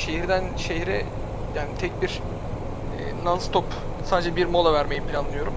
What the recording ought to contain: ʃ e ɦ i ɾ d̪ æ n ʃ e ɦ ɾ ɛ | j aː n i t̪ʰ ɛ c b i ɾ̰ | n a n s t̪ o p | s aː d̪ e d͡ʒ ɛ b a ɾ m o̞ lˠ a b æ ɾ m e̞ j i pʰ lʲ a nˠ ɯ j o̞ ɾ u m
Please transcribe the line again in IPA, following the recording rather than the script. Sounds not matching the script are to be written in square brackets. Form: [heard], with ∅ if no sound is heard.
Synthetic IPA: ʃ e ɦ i ɾ d̪ æ n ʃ e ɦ ɾ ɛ | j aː n i t̪ʰ ɛ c b i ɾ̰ | n a n s t̪ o p | s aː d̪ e d͡ʒ ɛ b [i] ɾ m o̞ lˠ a [v] æ ɾ m e̞ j i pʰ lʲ a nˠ ɯ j o̞ ɾ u m